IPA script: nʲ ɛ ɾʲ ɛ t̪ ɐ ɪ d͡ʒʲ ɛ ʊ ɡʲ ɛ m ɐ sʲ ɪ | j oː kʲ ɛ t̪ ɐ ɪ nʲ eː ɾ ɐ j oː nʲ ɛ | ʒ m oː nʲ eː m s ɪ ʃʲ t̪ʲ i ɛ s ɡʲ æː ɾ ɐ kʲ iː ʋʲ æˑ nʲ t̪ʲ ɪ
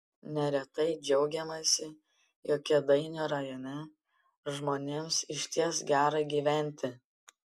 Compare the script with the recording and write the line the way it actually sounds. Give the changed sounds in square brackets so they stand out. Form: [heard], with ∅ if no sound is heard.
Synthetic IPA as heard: nʲ ɛ ɾʲ ɛ t̪ ɐ ɪ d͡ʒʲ ɛ ʊ ɡʲ ɛ m ɐ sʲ ɪ | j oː kʲ ɛ [d̪] ɐ ɪ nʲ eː ɾ ɐ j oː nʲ ɛ | ʒ m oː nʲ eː m s ɪ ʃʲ t̪ʲ i ɛ s ɡʲ æː ɾ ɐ [ɡʲ] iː ʋʲ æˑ nʲ t̪ʲ ɪ